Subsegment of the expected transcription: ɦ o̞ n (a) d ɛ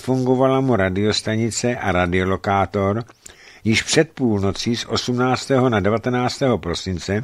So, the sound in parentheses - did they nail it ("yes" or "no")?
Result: yes